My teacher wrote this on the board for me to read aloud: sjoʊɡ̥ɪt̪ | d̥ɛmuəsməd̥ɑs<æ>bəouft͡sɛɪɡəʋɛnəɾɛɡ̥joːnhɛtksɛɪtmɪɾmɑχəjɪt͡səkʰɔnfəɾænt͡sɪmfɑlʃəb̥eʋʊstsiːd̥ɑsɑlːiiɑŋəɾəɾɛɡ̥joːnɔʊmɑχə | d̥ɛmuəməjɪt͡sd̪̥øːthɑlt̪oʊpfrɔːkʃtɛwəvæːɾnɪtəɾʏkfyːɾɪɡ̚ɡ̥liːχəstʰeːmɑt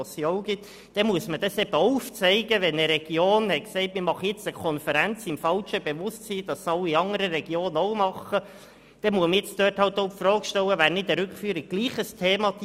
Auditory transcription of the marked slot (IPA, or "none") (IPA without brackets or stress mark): ɛ